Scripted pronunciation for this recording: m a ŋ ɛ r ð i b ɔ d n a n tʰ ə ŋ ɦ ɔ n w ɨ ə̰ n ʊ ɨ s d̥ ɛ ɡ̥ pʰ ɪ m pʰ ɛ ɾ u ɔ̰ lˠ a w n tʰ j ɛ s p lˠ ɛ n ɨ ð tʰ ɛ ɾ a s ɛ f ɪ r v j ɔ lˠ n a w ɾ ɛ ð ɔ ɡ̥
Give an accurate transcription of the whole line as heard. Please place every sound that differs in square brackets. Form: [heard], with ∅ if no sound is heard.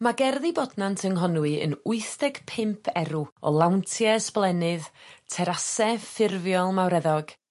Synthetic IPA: m a [ɡ] ɛ r ð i b ɔ d n a n tʰ ə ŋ ɦ ɔ n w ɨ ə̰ n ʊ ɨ [θ] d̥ ɛ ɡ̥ pʰ ɪ m pʰ ɛ ɾ u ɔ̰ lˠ a w n tʰ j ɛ s p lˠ ɛ n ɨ ð tʰ ɛ ɾ a s ɛ f ɪ r v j ɔ lˠ [m] a w ɾ ɛ ð ɔ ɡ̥